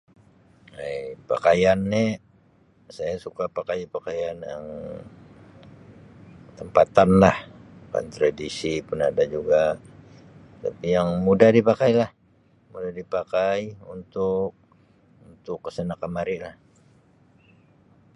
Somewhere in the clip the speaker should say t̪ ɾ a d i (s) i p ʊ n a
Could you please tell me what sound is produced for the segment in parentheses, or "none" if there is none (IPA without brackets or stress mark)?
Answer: s